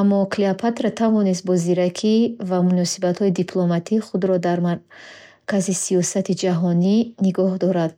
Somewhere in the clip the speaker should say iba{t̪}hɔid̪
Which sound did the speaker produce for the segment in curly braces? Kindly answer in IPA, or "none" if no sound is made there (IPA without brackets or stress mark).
t̪